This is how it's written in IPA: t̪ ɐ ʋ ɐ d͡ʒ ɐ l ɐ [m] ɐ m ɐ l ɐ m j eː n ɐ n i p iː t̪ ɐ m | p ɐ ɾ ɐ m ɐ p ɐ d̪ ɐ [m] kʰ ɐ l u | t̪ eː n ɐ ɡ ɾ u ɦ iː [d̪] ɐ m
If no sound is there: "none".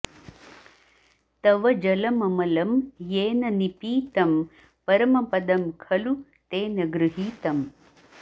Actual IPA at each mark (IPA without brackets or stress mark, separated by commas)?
m, m, t̪